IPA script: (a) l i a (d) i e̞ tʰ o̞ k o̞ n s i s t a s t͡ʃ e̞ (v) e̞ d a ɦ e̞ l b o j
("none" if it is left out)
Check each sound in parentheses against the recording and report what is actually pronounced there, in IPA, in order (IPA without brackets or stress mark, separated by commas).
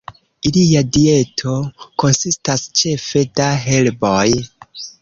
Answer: i, d, f